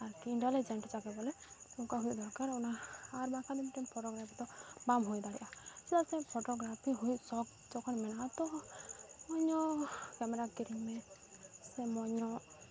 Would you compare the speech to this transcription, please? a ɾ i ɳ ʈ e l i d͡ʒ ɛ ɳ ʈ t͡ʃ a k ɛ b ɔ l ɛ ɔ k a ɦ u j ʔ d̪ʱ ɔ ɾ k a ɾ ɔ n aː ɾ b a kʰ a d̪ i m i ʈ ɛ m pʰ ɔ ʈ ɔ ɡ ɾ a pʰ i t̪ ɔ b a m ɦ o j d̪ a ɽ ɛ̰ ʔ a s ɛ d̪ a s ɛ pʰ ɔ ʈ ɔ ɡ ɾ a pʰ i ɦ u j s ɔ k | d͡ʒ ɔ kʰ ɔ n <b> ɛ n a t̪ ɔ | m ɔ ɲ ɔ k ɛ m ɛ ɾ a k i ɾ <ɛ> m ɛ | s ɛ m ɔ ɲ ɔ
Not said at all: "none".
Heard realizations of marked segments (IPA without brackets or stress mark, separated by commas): m, i